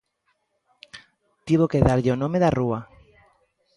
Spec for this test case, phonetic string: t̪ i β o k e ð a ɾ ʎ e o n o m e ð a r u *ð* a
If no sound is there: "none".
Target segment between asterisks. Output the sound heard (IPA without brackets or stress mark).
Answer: none